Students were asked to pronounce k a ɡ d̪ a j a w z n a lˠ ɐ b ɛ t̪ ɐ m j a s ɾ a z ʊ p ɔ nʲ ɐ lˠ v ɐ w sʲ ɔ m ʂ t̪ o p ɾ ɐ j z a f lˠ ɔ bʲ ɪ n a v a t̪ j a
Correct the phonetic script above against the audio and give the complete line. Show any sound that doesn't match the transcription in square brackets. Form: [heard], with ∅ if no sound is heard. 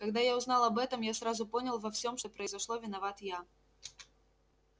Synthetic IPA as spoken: k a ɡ d̪ a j a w z n a lˠ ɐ b ɛ t̪ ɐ m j a s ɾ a z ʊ p ɔ nʲ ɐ lˠ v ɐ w sʲ ɔ m ʂ t̪ [ɔ] p ɾ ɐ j z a [ʂ] lˠ ɔ [vʲ] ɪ n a v a t̪ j a